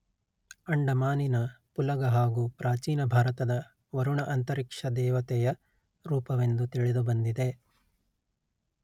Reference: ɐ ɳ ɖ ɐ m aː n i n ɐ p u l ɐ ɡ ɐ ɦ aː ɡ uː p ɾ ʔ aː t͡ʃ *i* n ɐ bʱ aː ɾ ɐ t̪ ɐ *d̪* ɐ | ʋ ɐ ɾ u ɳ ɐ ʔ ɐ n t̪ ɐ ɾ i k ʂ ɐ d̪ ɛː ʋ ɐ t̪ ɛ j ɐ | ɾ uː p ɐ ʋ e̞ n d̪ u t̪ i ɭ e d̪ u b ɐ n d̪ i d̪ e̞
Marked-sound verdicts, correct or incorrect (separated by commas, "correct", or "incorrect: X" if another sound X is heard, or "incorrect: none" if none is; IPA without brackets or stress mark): incorrect: iː, correct